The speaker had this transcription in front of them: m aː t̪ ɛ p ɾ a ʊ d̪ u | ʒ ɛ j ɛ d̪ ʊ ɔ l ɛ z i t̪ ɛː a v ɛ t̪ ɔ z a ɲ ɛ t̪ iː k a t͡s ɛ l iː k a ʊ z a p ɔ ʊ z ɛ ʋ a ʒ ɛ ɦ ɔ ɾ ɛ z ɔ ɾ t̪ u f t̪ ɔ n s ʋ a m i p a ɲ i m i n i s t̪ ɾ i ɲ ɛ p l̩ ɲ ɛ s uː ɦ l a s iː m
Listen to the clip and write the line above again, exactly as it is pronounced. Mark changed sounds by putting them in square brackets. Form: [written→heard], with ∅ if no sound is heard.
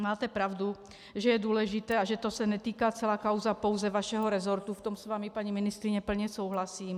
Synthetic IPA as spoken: m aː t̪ ɛ p ɾ a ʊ d̪ u | ʒ ɛ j ɛ d̪ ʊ ɔ l ɛ [z→ʒ] i t̪ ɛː a [v→ʒ] ɛ t̪ ɔ [z→s] a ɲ ɛ t̪ iː k a t͡s ɛ l [iː→aː] k a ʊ z a p ɔ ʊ z ɛ ʋ a [ʒ→ʃ] ɛ ɦ ɔ ɾ ɛ z ɔ ɾ t̪ u f t̪ ɔ [n→m] s ʋ a m i p a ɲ i m i n i s t̪ ɾ i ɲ ɛ p l̩ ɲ ɛ s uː ɦ l a s iː m